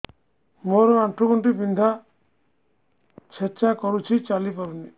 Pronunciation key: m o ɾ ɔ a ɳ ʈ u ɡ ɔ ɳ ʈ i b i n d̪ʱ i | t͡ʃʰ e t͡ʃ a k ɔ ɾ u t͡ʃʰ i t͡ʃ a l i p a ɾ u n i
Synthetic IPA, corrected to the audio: m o ɾ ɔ a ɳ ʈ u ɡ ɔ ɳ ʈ i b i n d̪ʱ a | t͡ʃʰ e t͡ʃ a k ɔ ɾ u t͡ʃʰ i t͡ʃ a l i p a ɾ u n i